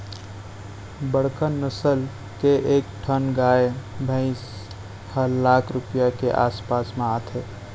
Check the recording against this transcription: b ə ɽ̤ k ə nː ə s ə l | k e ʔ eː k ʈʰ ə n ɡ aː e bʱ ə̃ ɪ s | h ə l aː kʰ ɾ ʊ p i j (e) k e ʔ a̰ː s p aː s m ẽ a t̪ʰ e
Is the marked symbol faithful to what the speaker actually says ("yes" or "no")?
no